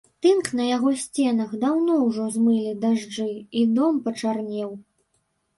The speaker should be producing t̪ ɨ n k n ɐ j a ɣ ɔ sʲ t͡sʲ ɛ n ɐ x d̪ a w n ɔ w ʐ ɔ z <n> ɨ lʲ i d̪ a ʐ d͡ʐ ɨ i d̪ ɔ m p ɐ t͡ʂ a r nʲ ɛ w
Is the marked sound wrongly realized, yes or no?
yes